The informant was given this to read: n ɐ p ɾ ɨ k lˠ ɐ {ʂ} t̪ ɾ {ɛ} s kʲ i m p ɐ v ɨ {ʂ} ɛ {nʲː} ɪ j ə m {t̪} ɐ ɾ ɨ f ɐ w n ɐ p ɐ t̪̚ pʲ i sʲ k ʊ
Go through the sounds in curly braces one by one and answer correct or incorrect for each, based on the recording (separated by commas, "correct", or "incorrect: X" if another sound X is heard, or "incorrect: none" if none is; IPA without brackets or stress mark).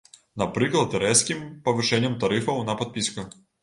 incorrect: none, correct, correct, incorrect: nʲ, correct